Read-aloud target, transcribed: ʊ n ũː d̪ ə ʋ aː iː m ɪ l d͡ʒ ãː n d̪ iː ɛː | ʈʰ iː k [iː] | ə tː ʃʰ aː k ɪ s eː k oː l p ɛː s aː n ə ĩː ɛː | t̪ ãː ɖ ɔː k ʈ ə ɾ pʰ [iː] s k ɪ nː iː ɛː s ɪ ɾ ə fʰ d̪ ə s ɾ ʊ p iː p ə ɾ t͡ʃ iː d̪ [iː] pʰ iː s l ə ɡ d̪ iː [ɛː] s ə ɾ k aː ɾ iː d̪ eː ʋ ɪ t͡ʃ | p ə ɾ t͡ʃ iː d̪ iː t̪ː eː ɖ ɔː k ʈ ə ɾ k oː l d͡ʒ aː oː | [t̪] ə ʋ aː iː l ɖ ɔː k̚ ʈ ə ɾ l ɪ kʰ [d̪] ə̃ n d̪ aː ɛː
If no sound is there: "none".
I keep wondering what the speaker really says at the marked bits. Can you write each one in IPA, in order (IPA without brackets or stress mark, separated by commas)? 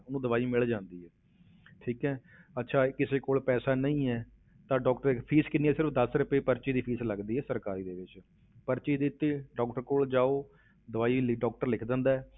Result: ɛː, iː, iː, ɛː, d̪, d̪